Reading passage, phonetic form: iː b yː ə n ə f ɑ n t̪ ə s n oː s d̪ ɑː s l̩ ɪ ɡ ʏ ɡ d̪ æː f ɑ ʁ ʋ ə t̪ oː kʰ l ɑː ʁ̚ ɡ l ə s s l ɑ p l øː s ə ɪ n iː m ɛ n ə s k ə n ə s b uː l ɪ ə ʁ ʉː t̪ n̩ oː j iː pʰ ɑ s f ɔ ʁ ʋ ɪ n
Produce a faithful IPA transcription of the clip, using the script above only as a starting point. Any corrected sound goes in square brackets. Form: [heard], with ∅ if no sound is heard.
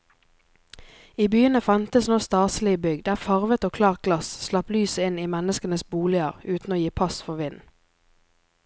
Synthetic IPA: iː b yː ə n ə f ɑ n t̪ ə s n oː s [t̪] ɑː s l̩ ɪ [b] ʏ ɡ d̪ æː f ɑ ʁ ʋ ə t̪ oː kʰ l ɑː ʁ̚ ɡ l [ɑ] s s l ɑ p l [yː] s ə ɪ n iː m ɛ n ə s k ə n ə s b uː l ɪ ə ʁ ʉː t̪ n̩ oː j iː pʰ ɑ s f ɔ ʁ ʋ ɪ n